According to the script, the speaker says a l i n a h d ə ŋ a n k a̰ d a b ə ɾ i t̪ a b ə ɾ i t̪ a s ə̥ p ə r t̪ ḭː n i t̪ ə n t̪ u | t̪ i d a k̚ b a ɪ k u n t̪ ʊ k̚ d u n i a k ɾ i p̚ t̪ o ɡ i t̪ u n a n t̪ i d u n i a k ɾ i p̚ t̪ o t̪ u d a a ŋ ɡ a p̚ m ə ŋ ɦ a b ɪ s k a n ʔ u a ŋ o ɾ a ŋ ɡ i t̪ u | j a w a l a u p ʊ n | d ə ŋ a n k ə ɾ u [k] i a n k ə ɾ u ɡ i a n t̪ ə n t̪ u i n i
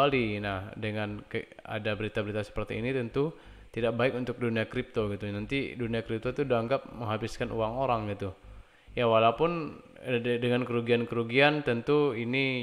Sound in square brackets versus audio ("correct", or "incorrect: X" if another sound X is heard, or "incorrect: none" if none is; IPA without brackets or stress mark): incorrect: ɡ